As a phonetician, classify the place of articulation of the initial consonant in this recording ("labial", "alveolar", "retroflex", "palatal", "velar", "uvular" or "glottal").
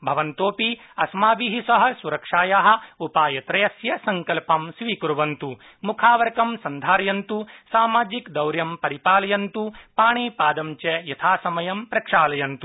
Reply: labial